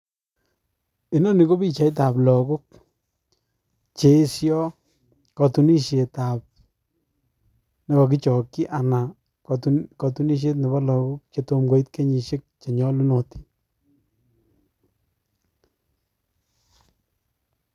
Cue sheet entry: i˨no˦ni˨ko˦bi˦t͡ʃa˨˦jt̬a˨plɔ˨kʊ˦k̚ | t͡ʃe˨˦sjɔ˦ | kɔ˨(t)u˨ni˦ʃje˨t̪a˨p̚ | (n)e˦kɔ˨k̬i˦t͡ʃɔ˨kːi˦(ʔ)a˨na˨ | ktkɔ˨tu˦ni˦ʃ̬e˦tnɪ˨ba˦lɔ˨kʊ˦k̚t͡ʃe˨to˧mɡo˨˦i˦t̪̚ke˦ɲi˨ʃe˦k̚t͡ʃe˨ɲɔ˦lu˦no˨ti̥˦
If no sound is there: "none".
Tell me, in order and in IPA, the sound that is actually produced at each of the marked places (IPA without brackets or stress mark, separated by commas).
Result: t, n, ʔ